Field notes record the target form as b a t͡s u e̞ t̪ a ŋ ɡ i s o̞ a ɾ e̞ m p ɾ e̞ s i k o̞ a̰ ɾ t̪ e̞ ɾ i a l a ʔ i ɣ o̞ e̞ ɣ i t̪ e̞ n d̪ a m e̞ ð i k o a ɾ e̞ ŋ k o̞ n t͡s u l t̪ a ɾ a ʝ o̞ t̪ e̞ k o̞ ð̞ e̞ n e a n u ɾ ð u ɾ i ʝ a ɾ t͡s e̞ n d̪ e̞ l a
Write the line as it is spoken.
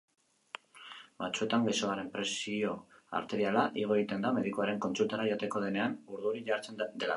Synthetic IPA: b a t͡s u e̞ t̪ a ŋ ɡ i s o̞ a ɾ e̞ m p ɾ e̞ s i o̞ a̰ ɾ t̪ e̞ ɾ i a l a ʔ i ɣ o̞ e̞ ɣ i t̪ e̞ n d̪ a m e̞ ð i k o a ɾ e̞ ŋ k o̞ n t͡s u l t̪ a ɾ a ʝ o̞ t̪ e̞ k o̞ ð̞ e̞ n e a n u ɾ ð u ɾ i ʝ a ɾ t͡s e̞ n d̪ e̞ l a